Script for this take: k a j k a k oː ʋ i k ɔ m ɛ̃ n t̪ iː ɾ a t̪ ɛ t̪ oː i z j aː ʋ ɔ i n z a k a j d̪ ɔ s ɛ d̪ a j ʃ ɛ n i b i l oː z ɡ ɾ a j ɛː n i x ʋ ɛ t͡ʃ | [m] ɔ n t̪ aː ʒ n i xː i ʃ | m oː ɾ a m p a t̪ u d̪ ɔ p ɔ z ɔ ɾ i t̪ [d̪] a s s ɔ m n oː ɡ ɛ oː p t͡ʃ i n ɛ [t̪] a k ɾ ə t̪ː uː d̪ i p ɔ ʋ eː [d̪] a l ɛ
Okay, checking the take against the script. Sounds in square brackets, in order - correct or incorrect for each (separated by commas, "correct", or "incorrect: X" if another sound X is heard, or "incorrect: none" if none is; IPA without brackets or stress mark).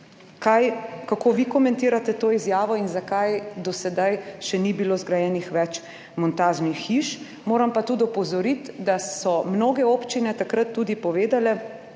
correct, correct, correct, correct